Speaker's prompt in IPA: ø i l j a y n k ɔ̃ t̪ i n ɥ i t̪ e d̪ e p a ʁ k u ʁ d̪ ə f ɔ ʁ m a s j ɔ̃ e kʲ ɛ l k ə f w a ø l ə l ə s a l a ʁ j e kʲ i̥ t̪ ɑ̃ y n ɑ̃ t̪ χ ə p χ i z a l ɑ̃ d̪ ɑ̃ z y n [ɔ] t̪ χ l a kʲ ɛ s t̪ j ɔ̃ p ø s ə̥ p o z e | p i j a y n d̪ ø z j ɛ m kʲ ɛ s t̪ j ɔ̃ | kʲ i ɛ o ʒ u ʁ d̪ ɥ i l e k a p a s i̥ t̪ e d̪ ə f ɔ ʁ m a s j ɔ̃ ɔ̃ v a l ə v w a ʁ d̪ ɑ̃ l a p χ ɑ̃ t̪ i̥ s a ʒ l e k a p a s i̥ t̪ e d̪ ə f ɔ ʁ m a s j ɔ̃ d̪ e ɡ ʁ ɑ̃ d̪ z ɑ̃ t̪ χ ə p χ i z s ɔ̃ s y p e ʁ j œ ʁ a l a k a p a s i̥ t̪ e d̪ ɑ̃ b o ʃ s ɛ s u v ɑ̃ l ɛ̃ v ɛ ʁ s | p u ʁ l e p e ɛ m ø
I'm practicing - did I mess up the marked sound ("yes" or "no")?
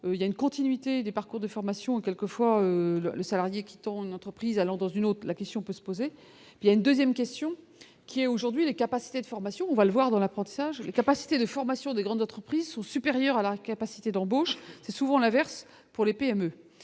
yes